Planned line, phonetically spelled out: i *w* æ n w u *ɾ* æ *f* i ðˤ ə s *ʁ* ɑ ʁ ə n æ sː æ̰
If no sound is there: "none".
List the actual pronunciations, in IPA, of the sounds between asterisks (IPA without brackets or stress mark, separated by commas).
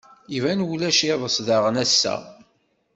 v, l, ʃ, ð